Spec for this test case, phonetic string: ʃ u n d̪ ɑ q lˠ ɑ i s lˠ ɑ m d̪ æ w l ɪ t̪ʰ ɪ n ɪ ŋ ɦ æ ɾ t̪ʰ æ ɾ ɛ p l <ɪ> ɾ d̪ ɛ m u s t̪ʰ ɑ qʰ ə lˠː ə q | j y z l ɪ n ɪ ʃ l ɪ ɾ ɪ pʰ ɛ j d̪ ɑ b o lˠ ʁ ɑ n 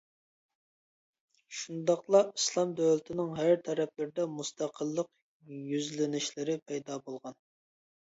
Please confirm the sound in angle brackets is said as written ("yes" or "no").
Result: yes